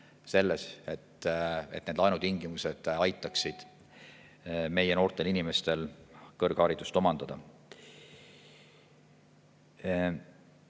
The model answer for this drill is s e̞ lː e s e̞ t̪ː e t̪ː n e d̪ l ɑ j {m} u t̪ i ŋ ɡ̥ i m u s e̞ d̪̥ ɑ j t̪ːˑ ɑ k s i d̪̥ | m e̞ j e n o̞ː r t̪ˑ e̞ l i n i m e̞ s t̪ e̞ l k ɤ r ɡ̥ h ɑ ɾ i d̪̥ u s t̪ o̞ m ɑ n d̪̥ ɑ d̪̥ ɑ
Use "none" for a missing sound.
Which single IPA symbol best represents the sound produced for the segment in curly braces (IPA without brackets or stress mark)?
n